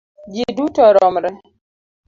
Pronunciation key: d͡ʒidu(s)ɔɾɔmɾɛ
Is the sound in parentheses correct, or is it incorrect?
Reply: incorrect